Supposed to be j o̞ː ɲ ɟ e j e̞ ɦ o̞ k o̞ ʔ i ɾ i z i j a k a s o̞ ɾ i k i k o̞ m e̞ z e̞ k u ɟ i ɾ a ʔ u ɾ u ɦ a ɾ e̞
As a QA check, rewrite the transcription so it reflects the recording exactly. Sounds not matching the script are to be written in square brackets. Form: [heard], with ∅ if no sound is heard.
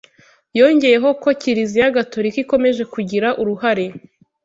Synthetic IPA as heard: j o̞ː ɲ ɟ e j e̞ ɦ o̞ k o̞ [c] i ɾ i z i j a [ɡ] a [t] o̞ ɾ i k i k o̞ m e̞ [ʒ] e̞ k u ɟ i ɾ a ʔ u ɾ u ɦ a ɾ e̞